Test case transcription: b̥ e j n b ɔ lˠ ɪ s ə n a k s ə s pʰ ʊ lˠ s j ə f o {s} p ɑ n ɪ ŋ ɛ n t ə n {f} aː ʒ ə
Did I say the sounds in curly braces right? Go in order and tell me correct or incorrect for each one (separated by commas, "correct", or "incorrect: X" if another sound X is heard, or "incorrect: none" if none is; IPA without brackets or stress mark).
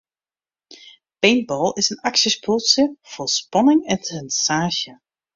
correct, incorrect: s